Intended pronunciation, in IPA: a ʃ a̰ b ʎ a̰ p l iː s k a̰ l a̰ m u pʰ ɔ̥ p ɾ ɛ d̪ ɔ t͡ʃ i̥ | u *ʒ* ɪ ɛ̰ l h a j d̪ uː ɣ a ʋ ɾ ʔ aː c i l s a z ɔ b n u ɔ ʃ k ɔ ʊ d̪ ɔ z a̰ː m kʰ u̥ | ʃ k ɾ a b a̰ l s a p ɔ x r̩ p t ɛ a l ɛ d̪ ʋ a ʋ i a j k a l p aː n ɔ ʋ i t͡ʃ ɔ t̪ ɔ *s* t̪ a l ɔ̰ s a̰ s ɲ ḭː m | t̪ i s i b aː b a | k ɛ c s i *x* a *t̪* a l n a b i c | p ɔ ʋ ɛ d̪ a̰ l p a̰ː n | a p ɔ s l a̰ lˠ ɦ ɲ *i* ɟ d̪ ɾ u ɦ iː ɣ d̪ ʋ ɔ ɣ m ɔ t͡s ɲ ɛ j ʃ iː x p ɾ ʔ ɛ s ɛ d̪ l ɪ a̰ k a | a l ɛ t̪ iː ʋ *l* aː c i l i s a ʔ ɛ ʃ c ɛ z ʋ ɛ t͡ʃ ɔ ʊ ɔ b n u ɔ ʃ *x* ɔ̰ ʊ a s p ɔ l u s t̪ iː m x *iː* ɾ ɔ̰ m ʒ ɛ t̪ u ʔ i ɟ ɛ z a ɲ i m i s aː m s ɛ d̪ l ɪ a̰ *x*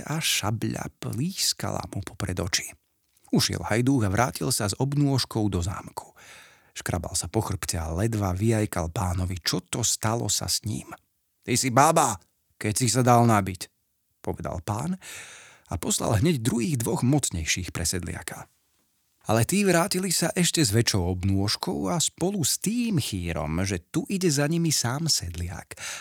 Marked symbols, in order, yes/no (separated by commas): no, yes, no, no, no, no, no, yes, no